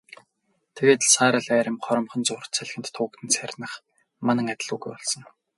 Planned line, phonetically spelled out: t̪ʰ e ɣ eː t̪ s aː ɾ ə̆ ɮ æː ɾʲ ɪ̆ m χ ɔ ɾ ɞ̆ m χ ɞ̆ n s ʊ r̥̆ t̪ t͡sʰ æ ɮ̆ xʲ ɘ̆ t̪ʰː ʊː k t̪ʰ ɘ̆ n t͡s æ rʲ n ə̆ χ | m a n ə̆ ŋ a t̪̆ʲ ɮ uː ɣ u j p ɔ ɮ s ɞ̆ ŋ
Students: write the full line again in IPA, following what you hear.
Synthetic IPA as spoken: t̪ʰ e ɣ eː t̪ s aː ɾ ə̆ ɮ æː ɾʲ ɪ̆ m χ ɔ ɾ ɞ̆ m χ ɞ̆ n t͡s ʊ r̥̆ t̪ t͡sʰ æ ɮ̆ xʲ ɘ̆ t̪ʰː ʊː k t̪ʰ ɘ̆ n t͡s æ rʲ n ə̆ χ | m a n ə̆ ŋ a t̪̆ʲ ɮ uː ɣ u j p ɔ ɮ s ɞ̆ ŋ